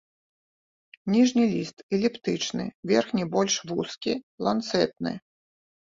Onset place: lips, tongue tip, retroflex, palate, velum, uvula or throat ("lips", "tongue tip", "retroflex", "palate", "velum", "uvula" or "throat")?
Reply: tongue tip